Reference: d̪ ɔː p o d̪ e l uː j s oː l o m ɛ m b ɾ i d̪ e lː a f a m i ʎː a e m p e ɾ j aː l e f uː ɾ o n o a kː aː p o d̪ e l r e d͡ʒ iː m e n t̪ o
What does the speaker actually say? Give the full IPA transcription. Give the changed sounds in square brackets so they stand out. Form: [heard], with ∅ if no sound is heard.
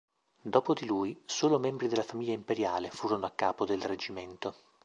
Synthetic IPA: d̪ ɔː p o d̪ [i] l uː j s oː l o m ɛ m b ɾ i d̪ e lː a f a m i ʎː a [i] m p e ɾ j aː l e f uː ɾ o n o a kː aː p o d̪ e l r e d͡ʒ [i] m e n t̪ o